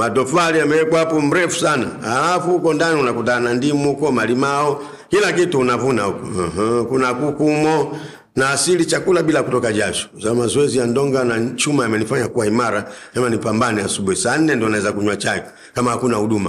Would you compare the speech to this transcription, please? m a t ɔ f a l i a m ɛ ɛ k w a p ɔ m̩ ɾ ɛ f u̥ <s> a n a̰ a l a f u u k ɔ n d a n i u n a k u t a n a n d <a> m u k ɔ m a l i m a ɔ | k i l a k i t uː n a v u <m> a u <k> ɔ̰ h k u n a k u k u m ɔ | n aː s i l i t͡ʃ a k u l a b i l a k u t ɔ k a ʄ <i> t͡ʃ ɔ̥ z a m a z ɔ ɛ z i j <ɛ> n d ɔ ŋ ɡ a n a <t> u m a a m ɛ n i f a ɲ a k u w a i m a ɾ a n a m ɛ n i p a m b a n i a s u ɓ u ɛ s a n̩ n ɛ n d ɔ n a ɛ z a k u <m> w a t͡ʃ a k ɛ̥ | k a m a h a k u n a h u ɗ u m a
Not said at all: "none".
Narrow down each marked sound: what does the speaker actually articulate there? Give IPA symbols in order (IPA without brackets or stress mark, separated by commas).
s, i, n, k, a, a, t͡ʃ, ɲ